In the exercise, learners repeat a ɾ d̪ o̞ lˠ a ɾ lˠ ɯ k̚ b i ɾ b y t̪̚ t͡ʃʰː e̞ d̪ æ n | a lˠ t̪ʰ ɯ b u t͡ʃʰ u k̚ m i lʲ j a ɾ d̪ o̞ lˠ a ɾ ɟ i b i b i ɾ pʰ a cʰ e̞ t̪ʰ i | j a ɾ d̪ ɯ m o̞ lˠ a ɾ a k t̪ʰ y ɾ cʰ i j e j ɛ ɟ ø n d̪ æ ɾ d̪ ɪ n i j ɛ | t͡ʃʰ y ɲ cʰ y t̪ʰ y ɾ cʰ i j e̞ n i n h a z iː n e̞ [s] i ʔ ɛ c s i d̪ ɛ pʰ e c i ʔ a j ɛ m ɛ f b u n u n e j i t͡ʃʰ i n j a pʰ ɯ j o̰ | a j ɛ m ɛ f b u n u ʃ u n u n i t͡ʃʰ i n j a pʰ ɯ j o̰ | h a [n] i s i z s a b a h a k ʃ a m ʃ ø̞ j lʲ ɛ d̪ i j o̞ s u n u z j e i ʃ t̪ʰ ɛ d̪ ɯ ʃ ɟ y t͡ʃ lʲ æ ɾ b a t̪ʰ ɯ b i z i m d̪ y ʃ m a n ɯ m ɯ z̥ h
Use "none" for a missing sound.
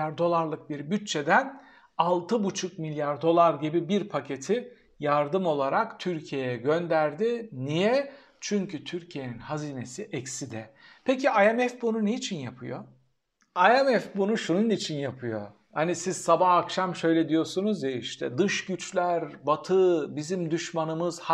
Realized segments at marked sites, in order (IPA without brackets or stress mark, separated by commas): s, n